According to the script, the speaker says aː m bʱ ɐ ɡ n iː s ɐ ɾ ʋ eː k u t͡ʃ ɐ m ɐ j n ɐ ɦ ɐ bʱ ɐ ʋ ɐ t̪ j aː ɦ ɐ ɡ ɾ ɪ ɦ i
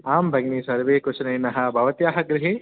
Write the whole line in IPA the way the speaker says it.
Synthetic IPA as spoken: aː m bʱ ɐ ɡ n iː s ɐ ɾ ʋ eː k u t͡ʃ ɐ n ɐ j n ɐ ɦ ɐ bʱ ɐ ʋ ɐ t̪ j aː ɦ ɐ ɡ ɾ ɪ ɦ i